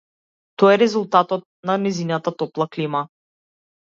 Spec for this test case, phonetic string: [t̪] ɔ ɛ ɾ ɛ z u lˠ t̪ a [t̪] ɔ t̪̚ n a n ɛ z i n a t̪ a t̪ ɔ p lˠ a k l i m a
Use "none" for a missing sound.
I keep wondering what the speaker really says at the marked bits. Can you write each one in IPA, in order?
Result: t̪, t̪

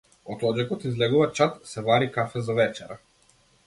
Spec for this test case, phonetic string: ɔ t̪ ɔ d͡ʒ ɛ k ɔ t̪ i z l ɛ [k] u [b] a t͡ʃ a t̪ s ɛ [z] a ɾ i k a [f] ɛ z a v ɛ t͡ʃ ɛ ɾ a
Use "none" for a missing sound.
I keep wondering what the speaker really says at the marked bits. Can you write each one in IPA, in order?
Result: ɡ, v, v, f

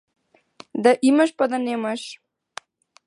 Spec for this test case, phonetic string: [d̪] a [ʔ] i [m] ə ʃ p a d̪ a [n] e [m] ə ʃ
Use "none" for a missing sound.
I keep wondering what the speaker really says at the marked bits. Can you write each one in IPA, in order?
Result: d̪, ʔ, m, n, m

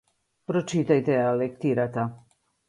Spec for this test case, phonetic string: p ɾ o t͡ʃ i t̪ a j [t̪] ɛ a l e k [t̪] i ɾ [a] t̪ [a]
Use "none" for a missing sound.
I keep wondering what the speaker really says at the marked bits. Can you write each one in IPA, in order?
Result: t̪, t̪, a, a

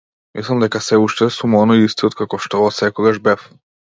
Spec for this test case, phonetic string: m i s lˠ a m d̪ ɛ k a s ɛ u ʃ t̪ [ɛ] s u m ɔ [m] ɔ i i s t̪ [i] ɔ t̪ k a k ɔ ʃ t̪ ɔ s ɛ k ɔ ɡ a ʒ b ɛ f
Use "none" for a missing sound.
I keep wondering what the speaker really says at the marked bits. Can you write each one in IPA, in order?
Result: ɛ, n, i

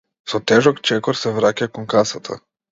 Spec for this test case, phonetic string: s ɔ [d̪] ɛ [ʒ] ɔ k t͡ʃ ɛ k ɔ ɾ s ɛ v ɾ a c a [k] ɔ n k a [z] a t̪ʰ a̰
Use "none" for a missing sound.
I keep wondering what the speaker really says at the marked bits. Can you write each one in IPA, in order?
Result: t̪, ʒ, k, s

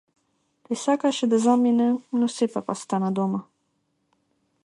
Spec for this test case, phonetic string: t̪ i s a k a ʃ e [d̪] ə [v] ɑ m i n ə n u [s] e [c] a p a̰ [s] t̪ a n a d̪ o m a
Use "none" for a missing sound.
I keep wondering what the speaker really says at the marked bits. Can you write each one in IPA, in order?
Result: d̪, z, s, p, s

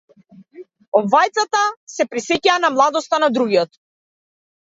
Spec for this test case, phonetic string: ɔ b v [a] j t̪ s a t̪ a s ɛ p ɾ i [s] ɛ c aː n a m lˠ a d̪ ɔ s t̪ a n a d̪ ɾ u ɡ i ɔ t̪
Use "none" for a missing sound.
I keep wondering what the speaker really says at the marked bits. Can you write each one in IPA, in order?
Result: a, s

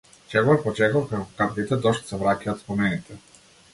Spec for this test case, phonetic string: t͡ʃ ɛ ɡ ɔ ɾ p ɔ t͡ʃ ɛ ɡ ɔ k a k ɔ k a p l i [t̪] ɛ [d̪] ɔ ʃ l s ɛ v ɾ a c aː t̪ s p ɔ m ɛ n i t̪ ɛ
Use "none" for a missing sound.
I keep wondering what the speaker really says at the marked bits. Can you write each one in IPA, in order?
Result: t̪, d̪

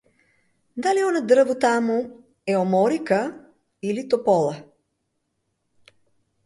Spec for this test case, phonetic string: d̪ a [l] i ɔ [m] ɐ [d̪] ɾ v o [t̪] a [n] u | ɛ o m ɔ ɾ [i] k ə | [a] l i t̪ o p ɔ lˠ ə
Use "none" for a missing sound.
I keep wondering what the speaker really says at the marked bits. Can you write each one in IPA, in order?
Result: l, n, d̪, t̪, m, i, i

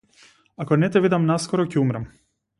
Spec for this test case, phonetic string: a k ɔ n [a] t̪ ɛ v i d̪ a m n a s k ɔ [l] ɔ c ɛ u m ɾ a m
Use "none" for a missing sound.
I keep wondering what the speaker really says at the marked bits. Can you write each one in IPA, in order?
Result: ɛ, ɾ

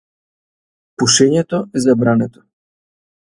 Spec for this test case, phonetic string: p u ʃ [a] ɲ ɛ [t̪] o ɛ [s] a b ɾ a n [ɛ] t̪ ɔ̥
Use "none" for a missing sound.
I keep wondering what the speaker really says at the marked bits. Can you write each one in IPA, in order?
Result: ɛ, t̪, z, ɛ

